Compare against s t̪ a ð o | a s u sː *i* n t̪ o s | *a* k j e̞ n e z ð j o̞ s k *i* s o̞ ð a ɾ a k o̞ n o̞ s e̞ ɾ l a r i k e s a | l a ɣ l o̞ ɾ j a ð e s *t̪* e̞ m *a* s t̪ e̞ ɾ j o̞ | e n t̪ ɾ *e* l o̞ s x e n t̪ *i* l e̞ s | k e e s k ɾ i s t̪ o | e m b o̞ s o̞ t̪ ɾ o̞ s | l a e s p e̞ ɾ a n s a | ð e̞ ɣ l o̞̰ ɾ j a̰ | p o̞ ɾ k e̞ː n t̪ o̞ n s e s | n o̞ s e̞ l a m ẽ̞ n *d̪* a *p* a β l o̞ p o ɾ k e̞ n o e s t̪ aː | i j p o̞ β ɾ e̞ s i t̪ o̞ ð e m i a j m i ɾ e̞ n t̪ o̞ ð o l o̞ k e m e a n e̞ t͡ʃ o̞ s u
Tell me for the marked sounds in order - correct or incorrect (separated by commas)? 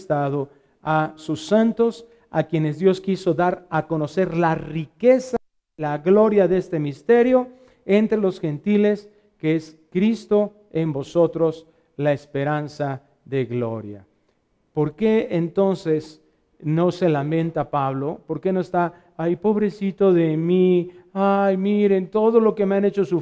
incorrect, correct, correct, correct, incorrect, correct, correct, incorrect, correct